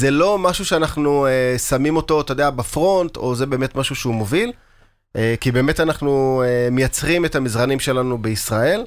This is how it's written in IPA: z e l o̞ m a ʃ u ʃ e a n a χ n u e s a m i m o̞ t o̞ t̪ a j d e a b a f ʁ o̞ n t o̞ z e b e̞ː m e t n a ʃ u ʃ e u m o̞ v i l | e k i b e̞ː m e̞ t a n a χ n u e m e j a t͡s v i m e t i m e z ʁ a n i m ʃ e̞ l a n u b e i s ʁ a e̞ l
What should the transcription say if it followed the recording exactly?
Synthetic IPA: z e l o̞ m a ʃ u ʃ e a n a χ n u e s a m i m o̞ t o̞ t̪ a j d e a b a f ʁ o̞ n t o̞ z e b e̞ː m e t m a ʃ u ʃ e u m o̞ v i l | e k i b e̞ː m e̞ t a n a χ n u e m e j a t͡s ʁ i m e t a m i z ʁ a n i m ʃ e̞ l a n u b e i s ʁ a e̞ l